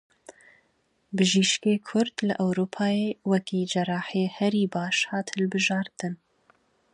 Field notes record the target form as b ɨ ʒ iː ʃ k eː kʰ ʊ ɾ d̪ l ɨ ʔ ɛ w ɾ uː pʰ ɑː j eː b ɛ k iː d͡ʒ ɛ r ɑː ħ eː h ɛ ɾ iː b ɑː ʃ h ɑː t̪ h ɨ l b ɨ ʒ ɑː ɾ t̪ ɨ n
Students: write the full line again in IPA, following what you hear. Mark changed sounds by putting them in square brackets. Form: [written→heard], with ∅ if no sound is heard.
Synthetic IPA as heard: b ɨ ʒ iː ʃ k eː kʰ ʊ ɾ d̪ l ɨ ʔ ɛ w ɾ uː pʰ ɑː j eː [b→w] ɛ k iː d͡ʒ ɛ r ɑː ħ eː h ɛ ɾ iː b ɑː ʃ h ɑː t̪ h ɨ l b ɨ ʒ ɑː ɾ t̪ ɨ n